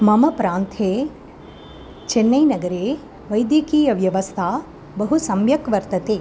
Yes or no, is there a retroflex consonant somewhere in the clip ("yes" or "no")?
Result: no